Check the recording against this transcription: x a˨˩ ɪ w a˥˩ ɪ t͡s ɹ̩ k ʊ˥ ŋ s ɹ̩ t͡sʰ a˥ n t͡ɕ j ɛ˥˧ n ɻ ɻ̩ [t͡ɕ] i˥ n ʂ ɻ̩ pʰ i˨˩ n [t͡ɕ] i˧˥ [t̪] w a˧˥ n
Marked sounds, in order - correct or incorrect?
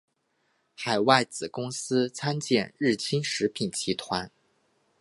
incorrect, incorrect, incorrect

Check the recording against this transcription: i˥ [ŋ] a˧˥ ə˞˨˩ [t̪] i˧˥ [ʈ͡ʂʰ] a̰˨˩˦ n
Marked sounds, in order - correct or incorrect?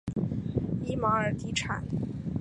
incorrect, correct, correct

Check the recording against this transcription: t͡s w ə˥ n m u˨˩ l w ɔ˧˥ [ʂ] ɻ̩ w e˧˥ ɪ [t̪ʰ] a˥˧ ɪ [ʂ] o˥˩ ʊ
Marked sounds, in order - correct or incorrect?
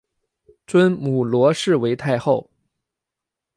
correct, correct, incorrect

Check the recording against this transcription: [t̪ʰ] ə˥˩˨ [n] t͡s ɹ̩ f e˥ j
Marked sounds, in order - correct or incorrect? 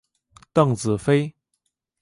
incorrect, incorrect

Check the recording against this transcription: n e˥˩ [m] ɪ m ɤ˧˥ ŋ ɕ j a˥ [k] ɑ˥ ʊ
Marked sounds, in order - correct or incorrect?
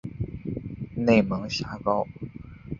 incorrect, correct

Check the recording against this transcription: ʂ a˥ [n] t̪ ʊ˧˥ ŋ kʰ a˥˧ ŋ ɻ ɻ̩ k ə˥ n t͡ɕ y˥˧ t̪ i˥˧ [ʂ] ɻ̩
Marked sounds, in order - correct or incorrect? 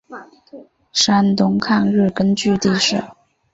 correct, correct

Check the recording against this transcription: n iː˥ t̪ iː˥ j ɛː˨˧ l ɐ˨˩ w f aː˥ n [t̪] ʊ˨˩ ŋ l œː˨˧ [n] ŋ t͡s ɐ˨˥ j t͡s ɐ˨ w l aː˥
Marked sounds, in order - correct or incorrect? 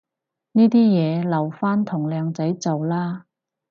incorrect, incorrect

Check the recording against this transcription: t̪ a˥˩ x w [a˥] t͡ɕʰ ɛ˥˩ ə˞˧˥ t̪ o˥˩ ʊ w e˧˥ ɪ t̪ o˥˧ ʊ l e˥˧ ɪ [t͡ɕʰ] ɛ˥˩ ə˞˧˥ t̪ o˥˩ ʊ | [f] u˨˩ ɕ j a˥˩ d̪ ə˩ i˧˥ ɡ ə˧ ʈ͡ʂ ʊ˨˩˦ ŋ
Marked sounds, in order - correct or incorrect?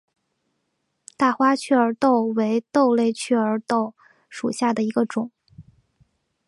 correct, correct, incorrect

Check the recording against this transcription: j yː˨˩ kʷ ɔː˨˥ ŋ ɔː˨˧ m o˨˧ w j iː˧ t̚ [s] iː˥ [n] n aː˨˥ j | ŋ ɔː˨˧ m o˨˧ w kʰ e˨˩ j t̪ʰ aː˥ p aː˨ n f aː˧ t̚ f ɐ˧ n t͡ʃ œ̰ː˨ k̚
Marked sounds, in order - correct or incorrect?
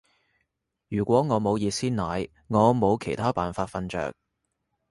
correct, correct

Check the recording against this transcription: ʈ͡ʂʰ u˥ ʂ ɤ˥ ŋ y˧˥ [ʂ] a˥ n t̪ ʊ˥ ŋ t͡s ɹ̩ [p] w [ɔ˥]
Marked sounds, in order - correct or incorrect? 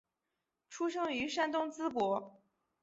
correct, correct, incorrect

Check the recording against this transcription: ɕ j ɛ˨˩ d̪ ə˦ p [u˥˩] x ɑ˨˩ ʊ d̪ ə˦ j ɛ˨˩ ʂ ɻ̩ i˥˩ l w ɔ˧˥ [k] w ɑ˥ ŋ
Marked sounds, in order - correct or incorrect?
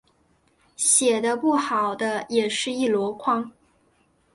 correct, incorrect

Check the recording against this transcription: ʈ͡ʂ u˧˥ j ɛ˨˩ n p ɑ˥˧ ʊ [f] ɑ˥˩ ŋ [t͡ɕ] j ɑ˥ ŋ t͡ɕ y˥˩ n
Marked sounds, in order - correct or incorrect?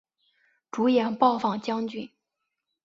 correct, correct

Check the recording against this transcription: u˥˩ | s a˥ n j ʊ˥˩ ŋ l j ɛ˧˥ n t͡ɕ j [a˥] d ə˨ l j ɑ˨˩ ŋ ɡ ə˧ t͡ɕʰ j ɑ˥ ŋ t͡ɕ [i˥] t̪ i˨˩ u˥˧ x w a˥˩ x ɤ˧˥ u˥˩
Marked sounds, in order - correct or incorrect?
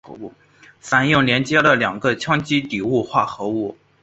incorrect, correct

